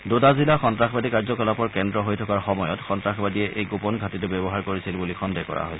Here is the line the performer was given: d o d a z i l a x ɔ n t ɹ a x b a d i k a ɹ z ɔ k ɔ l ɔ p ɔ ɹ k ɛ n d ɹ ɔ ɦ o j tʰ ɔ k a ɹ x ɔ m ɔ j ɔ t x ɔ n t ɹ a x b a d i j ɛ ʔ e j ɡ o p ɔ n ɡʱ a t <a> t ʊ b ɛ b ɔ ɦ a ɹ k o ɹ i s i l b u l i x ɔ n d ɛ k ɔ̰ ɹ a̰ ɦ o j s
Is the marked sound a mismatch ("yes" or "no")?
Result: yes